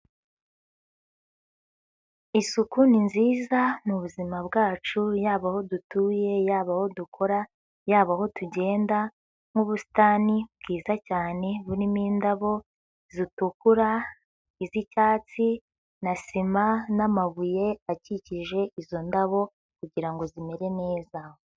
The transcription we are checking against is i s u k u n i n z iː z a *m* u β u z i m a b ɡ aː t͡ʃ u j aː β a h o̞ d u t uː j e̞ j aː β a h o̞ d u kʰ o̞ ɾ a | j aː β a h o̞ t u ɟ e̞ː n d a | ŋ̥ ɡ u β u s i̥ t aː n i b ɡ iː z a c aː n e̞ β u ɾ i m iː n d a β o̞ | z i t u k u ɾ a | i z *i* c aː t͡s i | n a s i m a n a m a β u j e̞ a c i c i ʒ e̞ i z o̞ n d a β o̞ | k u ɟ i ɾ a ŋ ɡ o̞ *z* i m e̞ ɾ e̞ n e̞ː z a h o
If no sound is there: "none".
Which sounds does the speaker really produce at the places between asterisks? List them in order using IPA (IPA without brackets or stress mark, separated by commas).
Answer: n, i, z